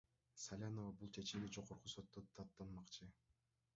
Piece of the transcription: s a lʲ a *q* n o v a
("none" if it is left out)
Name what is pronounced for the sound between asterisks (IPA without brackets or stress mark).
none